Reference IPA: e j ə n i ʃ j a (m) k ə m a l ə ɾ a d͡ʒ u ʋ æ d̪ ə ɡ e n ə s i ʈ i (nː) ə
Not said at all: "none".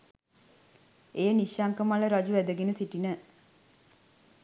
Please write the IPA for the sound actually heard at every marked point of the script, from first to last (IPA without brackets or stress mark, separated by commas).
ŋ, n